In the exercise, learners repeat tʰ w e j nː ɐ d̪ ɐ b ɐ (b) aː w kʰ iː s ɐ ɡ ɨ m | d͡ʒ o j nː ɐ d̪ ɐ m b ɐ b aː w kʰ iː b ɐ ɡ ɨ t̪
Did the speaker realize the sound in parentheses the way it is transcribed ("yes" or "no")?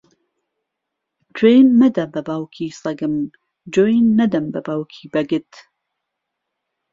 yes